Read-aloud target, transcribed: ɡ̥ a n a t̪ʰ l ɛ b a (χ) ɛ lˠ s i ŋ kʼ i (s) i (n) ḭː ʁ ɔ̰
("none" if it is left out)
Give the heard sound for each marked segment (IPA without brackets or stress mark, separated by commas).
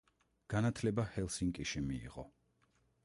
h, ʃ, m